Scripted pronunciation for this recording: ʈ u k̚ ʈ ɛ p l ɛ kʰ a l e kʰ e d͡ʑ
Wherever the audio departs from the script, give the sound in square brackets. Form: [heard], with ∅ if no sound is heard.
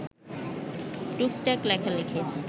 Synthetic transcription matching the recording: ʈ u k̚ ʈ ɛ [k] l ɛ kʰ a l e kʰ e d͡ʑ